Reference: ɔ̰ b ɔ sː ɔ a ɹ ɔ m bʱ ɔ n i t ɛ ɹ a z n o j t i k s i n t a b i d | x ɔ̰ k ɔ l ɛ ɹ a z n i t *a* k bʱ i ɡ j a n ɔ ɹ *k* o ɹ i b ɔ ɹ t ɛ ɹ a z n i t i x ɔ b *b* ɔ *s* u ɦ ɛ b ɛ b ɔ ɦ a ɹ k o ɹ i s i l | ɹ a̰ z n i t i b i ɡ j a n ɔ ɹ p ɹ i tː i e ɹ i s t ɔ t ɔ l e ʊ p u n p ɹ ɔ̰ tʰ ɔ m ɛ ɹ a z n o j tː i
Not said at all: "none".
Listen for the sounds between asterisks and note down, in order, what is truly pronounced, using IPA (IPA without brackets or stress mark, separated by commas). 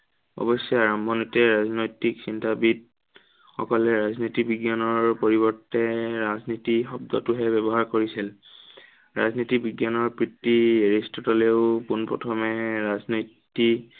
i, p, d, t